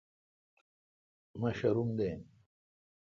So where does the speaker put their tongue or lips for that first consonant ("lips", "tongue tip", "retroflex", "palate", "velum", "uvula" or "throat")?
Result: lips